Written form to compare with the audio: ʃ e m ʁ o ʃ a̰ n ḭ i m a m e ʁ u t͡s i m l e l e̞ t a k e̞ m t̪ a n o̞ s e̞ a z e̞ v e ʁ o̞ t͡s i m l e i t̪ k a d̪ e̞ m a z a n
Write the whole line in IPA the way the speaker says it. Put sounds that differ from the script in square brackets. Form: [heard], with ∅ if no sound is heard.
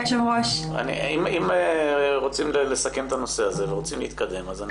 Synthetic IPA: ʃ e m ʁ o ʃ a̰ n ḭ i m [i] m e ʁ [o] t͡s i m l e l e̞ [s] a k e̞ m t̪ a n o̞ s e̞ a z e̞ v e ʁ o̞ t͡s i m l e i t̪ k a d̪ e̞ m a z a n